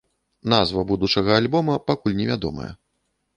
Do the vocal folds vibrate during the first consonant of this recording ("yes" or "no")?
yes